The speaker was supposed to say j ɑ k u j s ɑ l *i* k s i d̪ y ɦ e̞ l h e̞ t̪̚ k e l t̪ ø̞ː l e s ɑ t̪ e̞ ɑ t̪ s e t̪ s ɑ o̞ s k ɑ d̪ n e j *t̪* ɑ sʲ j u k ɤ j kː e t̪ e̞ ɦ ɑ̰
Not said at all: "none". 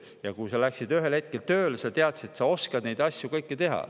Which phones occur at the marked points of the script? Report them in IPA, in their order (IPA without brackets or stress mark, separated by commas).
æ, d̪